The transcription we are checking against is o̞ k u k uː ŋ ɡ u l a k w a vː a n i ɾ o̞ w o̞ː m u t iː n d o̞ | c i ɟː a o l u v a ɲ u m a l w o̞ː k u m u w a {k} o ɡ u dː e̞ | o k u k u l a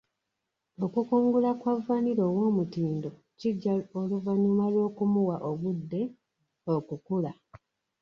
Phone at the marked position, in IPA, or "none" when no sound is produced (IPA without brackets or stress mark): ʔ